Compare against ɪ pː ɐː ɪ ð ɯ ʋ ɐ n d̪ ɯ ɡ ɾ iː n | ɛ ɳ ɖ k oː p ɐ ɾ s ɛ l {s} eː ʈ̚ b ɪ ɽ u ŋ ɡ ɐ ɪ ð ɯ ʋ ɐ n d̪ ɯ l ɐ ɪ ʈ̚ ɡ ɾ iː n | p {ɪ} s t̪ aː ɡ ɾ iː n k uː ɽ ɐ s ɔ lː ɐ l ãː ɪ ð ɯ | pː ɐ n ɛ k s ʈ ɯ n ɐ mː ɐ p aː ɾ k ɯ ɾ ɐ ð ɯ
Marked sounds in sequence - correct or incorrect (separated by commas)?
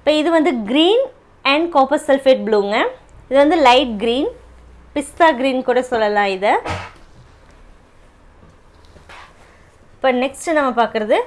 incorrect, correct